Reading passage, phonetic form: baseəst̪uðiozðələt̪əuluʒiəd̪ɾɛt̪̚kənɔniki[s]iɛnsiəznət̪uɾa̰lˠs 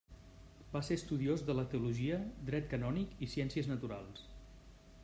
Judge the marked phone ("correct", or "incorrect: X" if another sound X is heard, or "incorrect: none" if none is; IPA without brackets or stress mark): correct